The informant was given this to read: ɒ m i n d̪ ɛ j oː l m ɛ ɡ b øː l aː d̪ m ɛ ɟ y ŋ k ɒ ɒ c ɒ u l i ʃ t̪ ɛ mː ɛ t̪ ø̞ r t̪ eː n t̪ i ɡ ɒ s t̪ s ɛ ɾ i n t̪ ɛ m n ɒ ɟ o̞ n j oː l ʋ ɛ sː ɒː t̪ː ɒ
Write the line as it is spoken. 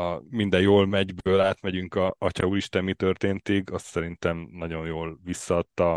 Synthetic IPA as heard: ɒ m i n d̪ ɛ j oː l m ɛ ɟ b øː l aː t̪ m ɛ ɟ y ŋ k ɒ ɒ c ɒ u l i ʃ t̪ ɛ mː i t̪ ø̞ r t̪ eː n t̪ i ɡ ɒ s t̪ s ɛ ɾ i n t̪ ɛ m n ɒ ɟ o̞ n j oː l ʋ i sː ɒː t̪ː ɒ